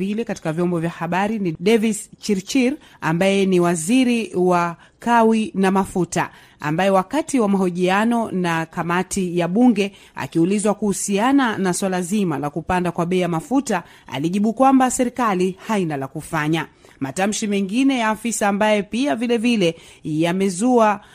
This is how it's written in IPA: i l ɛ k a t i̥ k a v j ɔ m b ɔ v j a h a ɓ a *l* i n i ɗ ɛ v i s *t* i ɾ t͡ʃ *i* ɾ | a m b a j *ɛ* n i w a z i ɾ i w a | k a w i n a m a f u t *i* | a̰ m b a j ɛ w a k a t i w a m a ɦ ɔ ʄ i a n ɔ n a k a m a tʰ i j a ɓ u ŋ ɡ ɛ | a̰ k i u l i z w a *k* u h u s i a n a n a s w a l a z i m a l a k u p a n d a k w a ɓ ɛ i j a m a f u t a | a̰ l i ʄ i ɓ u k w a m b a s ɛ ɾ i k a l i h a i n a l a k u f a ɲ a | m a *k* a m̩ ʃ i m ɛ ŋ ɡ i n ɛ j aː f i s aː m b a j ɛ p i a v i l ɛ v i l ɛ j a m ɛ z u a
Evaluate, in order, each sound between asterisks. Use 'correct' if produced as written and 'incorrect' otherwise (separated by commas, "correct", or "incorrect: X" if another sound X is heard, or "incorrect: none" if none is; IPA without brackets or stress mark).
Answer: incorrect: ɾ, incorrect: t͡ʃ, correct, correct, incorrect: a, correct, incorrect: t